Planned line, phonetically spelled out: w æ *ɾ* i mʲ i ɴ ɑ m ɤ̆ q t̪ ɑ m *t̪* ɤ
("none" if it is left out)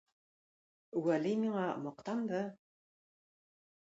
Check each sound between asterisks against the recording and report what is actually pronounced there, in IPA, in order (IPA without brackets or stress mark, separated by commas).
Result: l, d̪